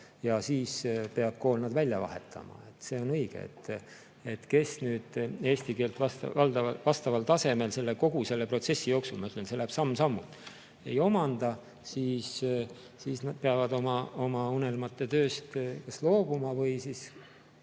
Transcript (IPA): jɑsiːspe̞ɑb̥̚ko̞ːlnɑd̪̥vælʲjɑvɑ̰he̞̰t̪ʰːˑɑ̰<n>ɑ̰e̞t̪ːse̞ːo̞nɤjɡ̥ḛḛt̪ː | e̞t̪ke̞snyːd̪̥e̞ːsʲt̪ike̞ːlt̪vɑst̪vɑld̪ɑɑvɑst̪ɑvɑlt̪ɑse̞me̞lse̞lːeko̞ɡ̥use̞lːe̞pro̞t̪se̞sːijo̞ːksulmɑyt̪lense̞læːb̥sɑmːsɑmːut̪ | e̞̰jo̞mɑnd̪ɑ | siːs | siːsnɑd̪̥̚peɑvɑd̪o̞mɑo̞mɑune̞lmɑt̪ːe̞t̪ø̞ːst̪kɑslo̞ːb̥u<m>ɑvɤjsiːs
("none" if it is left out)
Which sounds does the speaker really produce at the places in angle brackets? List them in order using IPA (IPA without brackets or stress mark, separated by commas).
m, m